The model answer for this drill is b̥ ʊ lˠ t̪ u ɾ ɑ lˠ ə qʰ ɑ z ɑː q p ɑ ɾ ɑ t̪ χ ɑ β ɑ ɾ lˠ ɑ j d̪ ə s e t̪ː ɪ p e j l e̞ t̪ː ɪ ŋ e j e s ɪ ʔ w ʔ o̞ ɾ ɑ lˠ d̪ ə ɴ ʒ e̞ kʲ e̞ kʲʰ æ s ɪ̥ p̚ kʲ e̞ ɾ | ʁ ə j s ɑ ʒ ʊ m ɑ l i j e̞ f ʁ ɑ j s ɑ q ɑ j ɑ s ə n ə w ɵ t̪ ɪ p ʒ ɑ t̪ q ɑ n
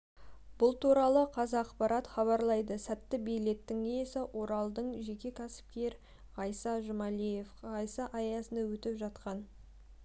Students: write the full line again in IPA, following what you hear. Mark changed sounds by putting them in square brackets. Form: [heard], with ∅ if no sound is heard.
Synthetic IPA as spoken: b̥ ʊ lˠ t̪ u ɾ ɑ lˠ ə qʰ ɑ z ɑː q p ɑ ɾ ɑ t̪ χ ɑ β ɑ ɾ lˠ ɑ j d̪ ə s [æ] t̪ː ɪ [b] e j l e̞ t̪ː ɪ ŋ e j e s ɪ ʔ w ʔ o̞ ɾ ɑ lˠ d̪ ə ɴ ʒ e̞ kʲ e̞ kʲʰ æ s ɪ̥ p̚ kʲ e̞ ɾ | ʁ [ɑ] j s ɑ ʒ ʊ m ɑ l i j e̞ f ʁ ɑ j s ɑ [ʔ] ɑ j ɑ s ə n [ɑ] w ɵ t̪ ɪ p ʒ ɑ t̪ q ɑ n